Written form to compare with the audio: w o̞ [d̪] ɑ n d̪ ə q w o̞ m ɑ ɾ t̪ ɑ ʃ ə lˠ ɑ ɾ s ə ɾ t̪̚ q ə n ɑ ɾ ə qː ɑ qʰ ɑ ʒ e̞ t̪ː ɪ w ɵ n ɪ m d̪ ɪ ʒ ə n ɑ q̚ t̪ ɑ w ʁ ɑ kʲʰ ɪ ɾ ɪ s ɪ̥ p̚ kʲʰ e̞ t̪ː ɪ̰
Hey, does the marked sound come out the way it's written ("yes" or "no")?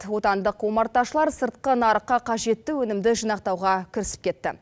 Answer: no